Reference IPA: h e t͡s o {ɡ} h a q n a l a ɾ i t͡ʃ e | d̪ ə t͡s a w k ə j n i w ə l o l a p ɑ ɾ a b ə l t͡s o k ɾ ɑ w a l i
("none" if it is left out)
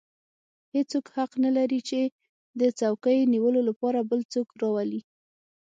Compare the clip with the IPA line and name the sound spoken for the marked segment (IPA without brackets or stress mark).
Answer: k